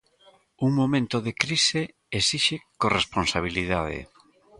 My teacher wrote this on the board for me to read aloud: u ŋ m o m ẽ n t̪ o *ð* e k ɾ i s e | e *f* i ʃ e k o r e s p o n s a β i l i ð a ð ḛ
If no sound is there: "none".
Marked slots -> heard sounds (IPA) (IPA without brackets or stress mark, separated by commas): ð, s